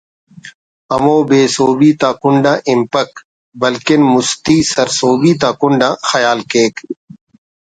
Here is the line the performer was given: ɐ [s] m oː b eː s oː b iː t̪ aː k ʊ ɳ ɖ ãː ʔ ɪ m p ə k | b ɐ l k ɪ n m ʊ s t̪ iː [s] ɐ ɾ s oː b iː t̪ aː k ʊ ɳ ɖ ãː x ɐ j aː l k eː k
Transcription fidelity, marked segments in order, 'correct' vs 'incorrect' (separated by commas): incorrect, correct